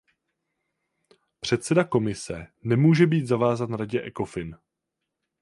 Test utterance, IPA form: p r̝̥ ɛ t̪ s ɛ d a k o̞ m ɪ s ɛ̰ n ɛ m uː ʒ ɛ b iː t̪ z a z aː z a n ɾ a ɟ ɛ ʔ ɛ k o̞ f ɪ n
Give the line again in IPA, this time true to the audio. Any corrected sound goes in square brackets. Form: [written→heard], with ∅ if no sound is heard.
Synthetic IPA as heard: p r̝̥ ɛ t̪ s ɛ d a k o̞ m ɪ s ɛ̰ n ɛ m uː ʒ ɛ b iː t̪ z a [z→v] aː z a n ɾ a ɟ ɛ ʔ ɛ k o̞ f ɪ n